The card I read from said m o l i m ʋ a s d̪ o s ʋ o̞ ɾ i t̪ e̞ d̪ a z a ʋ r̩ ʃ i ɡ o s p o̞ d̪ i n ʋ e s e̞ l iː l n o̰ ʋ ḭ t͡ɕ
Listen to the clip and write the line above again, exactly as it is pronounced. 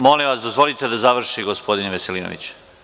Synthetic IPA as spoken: m o l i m ʋ a s d̪ o z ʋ o̞ l i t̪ e̞ d̪ a z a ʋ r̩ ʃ i ɡ o s p o̞ d̪ i n ʋ e s e̞ l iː n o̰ ʋ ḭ t͡ɕ